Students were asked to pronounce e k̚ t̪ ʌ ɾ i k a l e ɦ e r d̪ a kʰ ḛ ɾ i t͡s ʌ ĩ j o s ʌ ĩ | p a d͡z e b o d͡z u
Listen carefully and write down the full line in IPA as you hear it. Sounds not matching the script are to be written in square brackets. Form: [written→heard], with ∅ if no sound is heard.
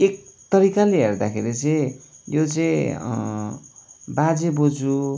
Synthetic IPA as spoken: e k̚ t̪ ʌ ɾ i k a l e ɦ e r d̪ a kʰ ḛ ɾ i t͡s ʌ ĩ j o [s→t͡s] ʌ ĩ | [p→b] a d͡z e b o d͡z u